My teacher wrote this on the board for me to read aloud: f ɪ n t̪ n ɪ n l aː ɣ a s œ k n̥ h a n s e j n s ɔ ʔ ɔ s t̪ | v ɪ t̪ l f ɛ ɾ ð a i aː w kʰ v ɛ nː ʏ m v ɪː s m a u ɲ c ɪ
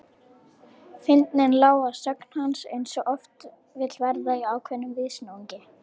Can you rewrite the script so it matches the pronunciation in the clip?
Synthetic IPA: f ɪ n t̪ n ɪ n l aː w a s œ k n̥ h a n s e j n s ɔ ʔ ɔ f t̪ | v ɪ t̪ l v ɛ ɾ ð a i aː w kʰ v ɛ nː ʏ m v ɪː s n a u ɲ c ɪ